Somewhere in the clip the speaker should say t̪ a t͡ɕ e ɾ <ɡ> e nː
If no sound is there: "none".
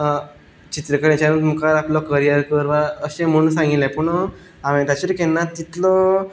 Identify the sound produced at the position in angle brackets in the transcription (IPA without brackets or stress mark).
k